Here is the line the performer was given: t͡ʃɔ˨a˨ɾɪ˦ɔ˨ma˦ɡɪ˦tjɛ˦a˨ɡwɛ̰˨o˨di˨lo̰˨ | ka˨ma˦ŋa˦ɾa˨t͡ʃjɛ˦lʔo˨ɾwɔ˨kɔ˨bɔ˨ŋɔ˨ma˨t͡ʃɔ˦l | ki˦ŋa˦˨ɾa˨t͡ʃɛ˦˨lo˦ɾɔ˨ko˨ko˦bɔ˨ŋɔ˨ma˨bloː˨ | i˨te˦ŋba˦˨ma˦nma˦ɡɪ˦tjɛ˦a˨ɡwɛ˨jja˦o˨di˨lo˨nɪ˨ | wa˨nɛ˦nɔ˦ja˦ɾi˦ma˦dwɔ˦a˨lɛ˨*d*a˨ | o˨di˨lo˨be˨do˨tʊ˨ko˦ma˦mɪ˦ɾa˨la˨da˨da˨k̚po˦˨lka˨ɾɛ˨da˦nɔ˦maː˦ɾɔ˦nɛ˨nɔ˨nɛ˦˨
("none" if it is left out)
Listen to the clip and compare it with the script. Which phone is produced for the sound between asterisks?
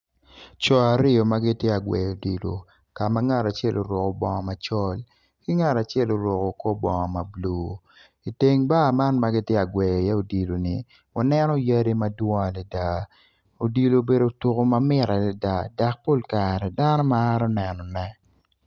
d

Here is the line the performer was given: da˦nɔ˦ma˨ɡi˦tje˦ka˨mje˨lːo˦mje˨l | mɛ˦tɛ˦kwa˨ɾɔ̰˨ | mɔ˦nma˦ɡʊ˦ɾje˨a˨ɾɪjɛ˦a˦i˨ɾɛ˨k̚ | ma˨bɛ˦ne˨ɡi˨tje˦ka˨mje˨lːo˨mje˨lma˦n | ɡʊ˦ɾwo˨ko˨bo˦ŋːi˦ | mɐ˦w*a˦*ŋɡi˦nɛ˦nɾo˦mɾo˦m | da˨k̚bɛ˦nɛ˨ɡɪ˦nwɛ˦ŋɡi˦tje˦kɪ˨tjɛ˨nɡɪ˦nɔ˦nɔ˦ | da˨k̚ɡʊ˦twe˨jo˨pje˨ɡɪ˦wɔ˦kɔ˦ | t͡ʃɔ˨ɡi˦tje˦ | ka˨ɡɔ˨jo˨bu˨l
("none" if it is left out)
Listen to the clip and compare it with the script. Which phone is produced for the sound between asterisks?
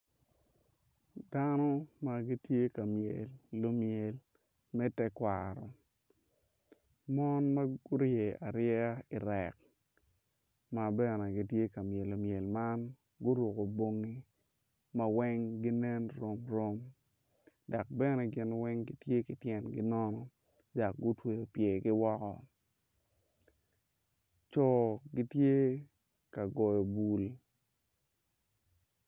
ɛ˦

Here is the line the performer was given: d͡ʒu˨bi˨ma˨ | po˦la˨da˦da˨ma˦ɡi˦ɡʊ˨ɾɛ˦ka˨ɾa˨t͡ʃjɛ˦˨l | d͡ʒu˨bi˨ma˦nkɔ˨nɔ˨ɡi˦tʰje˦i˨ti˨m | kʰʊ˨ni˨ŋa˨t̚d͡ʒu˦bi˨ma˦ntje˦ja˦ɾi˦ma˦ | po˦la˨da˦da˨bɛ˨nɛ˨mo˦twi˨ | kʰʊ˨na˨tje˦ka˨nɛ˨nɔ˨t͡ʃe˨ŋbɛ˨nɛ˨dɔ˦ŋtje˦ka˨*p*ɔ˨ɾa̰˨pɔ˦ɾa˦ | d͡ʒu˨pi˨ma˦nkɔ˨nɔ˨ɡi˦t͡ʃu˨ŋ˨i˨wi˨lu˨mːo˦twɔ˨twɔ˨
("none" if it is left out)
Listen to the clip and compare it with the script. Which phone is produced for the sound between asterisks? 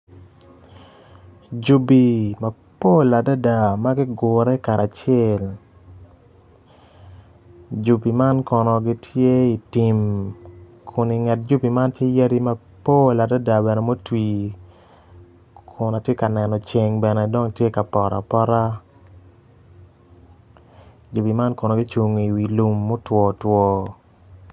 p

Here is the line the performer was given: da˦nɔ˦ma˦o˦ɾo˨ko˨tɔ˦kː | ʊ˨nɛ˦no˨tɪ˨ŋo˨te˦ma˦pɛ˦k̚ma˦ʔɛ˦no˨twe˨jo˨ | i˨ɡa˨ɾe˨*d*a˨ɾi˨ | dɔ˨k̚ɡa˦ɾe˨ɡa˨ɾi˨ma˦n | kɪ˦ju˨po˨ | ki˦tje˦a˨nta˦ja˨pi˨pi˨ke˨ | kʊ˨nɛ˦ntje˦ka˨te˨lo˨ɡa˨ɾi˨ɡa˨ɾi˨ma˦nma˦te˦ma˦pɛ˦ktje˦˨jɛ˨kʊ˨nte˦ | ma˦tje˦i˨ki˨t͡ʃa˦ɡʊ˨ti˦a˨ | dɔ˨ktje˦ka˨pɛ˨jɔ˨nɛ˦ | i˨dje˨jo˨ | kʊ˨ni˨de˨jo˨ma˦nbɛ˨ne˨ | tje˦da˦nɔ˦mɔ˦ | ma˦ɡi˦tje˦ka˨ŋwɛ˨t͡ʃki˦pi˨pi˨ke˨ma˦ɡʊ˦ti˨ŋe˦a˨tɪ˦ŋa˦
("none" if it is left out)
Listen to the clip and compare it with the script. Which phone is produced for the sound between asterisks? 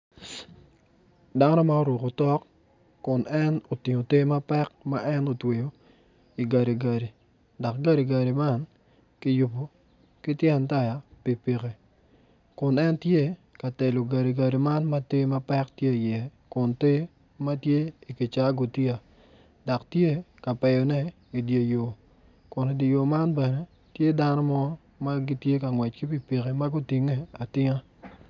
ɡ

